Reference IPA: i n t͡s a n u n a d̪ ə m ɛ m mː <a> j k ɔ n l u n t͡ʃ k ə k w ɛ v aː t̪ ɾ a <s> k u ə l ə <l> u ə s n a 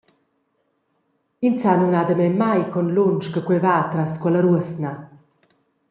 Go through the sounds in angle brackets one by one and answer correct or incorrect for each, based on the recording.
correct, correct, incorrect: ɾ

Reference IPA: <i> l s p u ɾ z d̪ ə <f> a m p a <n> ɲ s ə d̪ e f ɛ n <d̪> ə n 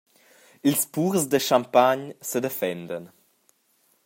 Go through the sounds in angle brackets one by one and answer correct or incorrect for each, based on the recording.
correct, incorrect: ʃ, incorrect: none, correct

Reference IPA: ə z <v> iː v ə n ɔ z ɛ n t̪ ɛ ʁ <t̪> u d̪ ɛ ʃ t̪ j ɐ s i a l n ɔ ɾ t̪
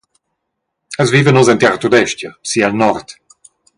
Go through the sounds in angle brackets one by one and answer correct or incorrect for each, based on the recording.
correct, correct

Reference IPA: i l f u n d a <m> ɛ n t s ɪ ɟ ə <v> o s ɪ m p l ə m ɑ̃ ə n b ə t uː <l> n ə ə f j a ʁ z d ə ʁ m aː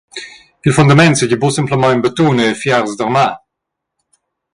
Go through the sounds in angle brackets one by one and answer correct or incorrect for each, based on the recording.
correct, incorrect: b, incorrect: none

